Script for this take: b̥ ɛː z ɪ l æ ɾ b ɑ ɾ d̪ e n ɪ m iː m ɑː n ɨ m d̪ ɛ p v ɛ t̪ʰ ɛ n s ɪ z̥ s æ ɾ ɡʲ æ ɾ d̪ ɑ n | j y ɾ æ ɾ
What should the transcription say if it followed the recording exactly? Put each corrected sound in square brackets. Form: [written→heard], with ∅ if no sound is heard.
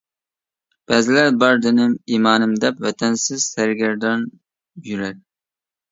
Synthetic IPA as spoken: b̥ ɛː z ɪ l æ ɾ b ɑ ɾ d̪ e n ɪ m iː m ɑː n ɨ m d̪ ɛ p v ɛ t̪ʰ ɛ n s ɪ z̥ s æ ɾ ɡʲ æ ɾ d̪ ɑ n | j y ɾ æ ɾ